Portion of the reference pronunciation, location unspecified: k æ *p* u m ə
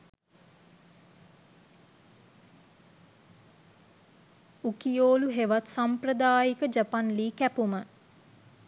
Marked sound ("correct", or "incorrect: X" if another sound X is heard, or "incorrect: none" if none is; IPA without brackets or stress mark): correct